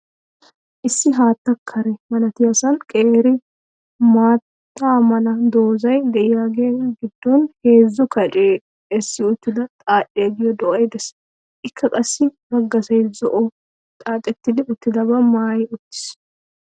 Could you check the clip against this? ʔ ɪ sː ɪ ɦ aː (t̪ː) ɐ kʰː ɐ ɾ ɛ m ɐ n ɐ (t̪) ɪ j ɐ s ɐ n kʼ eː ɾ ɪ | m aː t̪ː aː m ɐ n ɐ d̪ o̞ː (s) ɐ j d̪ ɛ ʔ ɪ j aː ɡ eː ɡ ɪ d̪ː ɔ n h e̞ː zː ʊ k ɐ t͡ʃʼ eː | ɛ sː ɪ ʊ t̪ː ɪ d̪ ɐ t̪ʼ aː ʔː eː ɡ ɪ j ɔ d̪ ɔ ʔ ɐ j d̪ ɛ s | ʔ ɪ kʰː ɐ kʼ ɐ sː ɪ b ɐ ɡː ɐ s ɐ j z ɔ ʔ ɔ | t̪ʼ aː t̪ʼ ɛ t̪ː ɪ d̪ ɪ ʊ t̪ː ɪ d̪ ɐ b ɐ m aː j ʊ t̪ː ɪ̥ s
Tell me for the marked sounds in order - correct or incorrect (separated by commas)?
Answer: correct, correct, incorrect